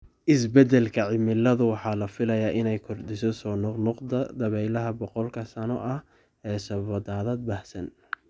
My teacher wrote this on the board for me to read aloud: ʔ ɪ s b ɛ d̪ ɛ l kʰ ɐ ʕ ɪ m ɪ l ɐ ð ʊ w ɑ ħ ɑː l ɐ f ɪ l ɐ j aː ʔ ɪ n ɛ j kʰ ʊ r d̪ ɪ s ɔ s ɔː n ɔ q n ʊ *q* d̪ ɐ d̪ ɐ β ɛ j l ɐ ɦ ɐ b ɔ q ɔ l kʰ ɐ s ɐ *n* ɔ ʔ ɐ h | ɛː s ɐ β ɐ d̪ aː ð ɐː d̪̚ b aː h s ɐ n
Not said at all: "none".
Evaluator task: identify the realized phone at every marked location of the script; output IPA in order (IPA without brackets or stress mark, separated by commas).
q, n